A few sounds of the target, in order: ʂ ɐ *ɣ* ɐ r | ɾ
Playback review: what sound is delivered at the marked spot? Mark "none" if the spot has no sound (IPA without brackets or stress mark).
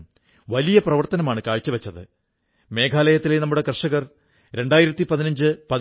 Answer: ɣ